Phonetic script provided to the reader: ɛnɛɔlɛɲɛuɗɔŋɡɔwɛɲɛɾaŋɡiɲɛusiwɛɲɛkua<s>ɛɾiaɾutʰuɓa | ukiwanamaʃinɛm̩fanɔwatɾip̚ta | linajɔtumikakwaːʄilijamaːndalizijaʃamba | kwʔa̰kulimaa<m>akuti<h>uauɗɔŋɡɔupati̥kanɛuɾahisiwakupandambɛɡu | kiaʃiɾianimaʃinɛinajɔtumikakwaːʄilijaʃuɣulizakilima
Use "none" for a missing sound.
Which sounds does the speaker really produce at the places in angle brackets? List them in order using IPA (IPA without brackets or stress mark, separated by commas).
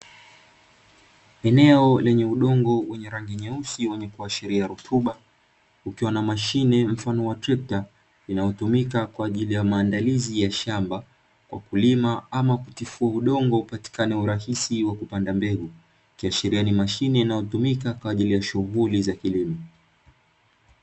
ʃ, m, f